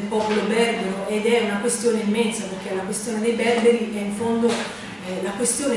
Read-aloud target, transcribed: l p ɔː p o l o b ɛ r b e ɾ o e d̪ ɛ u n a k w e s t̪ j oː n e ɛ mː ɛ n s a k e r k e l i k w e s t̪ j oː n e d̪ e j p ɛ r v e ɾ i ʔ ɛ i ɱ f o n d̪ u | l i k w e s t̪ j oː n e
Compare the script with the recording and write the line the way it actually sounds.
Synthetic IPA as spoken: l p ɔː p o l o b ɛ r b e ɾ o e d̪ ɛ u n a k w e s t̪ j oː n e i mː ɛ n s a p e r k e l a k w e s t̪ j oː n e d̪ e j b ɛ r b e ɾ i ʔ ɛ i ɱ f o n d̪ o | l a k w e s t̪ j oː n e